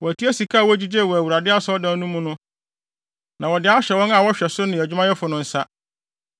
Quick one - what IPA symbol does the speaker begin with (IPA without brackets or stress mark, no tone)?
w